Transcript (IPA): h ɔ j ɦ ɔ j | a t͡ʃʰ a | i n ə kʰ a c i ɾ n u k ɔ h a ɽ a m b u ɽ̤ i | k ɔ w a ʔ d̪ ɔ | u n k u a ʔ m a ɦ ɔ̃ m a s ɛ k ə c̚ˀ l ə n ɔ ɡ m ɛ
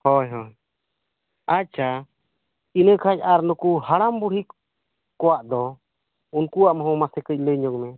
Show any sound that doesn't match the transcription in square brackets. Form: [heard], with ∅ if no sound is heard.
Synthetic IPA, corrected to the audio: h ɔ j ɦ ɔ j | a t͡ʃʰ a | i n ə kʰ a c [a] ɾ n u k [u] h a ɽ a m b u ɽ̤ i | k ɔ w a ʔ d̪ ɔ | u n k u a ʔ m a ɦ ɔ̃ m a s ɛ k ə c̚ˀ l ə [ɲ] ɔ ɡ m ɛ